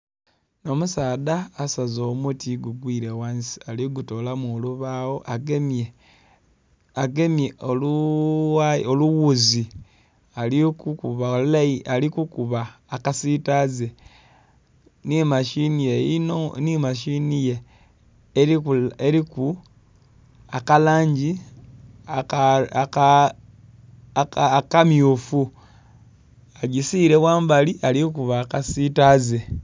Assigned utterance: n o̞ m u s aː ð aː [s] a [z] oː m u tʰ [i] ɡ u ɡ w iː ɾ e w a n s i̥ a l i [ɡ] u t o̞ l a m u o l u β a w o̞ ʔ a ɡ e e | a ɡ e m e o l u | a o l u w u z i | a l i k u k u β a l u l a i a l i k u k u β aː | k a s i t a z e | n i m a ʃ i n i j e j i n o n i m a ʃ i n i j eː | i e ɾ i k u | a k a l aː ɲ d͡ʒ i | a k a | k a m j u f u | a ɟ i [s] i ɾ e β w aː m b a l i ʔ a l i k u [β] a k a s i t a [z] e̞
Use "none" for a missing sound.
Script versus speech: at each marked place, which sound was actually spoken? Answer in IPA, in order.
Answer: s, z, i, ɡ, s, β, z

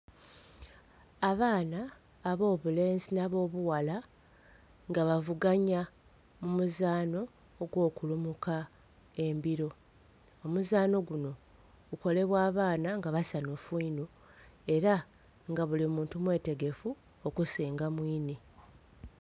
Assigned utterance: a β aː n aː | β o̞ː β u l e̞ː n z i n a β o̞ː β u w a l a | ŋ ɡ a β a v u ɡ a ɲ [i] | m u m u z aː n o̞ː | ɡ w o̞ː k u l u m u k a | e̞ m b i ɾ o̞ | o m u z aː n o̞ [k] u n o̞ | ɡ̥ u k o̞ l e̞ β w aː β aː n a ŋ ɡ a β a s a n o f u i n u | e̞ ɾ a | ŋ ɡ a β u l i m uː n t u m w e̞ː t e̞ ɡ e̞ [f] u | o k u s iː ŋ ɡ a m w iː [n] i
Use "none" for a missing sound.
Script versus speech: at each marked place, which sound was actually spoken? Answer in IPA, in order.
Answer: a, ɡ, f, n

